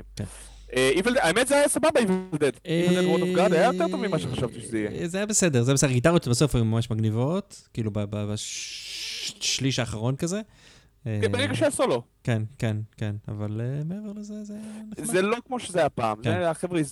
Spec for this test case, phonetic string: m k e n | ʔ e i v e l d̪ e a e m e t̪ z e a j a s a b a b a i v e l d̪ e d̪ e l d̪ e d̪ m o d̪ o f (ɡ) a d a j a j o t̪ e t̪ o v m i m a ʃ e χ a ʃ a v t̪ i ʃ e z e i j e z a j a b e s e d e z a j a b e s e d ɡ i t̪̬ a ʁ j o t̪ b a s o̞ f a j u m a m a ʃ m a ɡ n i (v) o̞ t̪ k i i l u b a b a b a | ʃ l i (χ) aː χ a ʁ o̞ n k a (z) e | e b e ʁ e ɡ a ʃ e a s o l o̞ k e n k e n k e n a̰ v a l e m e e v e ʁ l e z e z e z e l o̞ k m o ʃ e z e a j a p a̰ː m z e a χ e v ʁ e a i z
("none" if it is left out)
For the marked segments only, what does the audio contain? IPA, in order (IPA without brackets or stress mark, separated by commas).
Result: ɡ, v, ʃ, z